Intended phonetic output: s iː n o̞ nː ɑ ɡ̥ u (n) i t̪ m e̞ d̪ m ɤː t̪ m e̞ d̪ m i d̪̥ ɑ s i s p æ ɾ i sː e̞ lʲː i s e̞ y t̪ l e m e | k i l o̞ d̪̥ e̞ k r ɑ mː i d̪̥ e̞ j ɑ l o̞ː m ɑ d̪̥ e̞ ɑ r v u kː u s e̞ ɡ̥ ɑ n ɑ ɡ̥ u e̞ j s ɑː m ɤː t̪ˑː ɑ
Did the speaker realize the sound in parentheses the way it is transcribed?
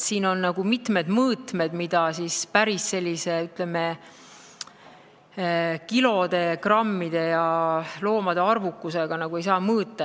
no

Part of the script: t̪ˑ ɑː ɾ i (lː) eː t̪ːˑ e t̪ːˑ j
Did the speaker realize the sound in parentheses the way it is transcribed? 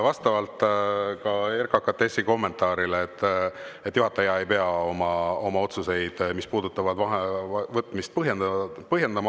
no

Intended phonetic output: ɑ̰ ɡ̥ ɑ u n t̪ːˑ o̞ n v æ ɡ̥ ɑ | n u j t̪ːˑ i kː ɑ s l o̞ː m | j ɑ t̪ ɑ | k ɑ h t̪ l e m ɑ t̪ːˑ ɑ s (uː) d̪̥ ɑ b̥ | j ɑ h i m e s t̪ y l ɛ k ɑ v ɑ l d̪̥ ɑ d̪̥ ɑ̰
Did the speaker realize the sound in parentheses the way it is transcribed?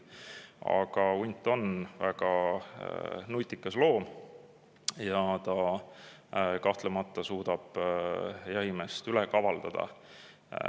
yes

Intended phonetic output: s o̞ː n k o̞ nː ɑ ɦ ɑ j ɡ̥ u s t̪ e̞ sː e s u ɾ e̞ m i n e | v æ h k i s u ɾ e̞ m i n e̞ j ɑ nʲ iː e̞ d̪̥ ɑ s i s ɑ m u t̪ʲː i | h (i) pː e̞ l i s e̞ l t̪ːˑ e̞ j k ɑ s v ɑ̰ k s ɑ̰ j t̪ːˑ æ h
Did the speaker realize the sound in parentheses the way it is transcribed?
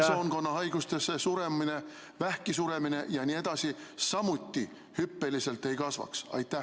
no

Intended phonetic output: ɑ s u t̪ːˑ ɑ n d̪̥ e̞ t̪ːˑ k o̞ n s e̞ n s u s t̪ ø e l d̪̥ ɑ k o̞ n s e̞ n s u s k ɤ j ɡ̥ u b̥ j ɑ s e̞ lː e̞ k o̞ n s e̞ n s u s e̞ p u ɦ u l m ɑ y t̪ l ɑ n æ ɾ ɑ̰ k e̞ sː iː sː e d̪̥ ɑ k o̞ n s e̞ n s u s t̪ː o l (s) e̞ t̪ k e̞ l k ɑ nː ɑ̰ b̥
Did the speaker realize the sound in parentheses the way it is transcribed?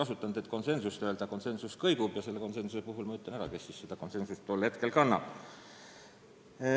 no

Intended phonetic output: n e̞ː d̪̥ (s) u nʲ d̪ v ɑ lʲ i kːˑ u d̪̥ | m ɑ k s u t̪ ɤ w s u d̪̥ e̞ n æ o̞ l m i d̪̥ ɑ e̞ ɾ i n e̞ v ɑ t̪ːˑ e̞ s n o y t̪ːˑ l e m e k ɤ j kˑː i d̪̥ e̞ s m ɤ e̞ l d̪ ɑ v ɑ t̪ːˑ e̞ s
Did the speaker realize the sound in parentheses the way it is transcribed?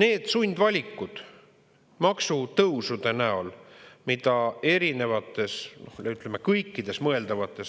yes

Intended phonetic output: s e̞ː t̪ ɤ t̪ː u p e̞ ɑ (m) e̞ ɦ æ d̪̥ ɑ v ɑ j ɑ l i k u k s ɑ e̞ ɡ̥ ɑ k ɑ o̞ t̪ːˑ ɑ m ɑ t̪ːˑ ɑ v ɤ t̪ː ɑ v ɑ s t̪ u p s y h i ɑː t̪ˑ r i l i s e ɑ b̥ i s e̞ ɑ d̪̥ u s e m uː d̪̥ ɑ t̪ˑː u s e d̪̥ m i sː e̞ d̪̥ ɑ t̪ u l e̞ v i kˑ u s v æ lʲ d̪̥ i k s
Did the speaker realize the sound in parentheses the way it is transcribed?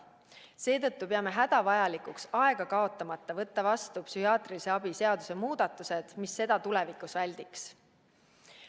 yes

